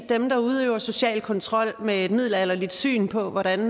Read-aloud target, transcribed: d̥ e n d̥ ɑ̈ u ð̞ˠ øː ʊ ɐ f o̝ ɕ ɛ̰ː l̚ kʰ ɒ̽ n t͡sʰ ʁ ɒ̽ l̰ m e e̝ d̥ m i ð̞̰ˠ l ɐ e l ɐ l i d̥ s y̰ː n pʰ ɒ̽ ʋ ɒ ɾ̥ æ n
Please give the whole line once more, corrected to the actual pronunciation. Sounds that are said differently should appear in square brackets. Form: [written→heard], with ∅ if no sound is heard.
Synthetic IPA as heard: d̥ e [n→m] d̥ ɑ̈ u ð̞ˠ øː ʊ ɐ [f→s] o̝ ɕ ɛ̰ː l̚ kʰ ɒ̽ n t͡sʰ ʁ ɒ̽ l̰ m e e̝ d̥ m i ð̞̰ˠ l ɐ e l ɐ l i d̥ s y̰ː n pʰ ɒ̽ ʋ ɒ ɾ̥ æ n